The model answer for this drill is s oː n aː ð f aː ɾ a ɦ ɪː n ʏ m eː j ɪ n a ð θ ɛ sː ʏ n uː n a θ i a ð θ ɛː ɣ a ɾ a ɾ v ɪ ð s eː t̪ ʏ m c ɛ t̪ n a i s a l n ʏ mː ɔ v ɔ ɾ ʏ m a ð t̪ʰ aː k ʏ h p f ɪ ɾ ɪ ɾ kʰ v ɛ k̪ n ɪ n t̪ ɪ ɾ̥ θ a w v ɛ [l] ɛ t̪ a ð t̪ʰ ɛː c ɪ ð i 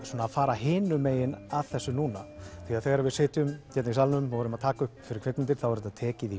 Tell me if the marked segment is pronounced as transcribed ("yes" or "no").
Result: no